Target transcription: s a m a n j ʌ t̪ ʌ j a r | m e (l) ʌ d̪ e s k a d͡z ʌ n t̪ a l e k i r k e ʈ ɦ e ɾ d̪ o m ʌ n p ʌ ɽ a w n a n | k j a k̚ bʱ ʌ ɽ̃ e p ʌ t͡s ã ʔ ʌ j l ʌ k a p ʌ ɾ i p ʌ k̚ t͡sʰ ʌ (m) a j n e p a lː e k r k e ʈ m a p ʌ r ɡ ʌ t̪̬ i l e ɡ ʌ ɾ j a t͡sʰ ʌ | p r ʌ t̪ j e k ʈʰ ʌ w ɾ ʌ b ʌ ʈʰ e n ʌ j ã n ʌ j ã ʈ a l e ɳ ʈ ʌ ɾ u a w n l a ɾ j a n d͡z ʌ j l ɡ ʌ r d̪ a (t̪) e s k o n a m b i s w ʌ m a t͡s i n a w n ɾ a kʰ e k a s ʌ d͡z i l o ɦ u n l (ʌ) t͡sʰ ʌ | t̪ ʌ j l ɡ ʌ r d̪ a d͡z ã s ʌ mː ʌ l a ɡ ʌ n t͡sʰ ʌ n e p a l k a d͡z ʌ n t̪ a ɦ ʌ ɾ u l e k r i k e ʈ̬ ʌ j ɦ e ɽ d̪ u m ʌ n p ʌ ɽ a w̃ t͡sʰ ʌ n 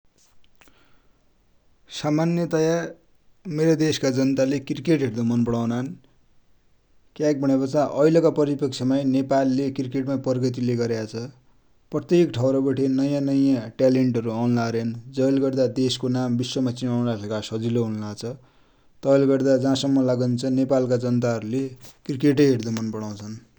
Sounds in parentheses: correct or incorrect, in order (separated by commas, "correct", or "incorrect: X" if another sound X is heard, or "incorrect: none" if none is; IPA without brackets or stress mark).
incorrect: ɾ, correct, incorrect: d̪, incorrect: a